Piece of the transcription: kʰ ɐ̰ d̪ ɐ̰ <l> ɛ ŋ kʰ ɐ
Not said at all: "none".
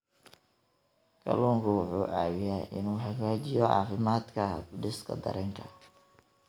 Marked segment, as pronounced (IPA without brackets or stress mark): ɾ